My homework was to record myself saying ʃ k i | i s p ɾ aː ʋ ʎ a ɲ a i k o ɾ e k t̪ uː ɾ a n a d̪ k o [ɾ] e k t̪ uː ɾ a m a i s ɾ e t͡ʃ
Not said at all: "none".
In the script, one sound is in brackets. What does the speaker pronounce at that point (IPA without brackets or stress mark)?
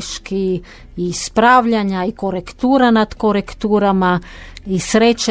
ɾ